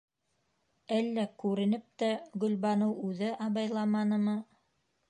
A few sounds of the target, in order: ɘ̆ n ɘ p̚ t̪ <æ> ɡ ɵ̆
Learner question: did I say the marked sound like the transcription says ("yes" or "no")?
yes